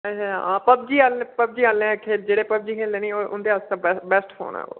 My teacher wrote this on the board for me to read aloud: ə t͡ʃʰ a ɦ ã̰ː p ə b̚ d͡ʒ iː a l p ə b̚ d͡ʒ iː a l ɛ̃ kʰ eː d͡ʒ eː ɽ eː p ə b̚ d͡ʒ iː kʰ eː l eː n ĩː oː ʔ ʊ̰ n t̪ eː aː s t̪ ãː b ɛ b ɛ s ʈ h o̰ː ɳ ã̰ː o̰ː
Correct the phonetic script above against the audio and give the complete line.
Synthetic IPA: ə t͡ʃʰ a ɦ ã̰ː p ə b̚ d͡ʒ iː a l p ə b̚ d͡ʒ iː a l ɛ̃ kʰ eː d͡ʒ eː ɽ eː p ə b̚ d͡ʒ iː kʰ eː l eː n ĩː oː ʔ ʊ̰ n d̪ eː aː s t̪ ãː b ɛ b ɛ s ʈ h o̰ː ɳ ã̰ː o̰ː